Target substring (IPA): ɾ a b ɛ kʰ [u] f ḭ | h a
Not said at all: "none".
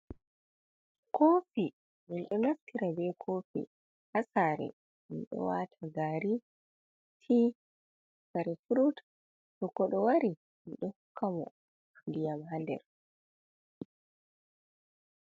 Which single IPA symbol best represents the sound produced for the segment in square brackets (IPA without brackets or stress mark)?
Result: o